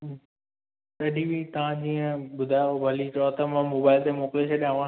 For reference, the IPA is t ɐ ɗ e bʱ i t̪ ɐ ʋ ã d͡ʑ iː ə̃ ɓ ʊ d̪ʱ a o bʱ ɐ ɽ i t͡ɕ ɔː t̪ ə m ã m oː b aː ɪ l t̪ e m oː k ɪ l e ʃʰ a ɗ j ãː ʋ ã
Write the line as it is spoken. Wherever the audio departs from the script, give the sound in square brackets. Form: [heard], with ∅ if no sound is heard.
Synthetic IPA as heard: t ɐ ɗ [i] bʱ i t̪ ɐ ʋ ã d͡ʑ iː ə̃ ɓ ʊ d̪ʱ a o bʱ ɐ [l] i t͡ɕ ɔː t̪ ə m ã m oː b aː ɪ l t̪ e m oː k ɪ l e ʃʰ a ɗ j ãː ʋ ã